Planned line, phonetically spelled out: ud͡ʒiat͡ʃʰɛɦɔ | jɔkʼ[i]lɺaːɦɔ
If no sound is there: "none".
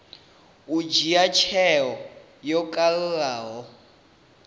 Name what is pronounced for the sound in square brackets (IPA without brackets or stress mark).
a